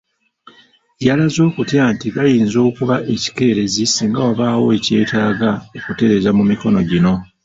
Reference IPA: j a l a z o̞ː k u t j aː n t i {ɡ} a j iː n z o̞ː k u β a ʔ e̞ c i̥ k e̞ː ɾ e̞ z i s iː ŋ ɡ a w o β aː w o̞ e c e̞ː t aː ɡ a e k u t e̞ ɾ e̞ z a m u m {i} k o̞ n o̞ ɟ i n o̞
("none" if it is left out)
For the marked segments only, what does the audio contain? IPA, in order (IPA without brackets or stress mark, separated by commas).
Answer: ɡ, i